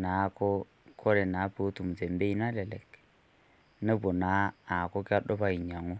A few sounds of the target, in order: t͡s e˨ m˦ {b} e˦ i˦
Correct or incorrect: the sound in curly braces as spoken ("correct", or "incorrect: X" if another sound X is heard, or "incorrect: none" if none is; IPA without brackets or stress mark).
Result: correct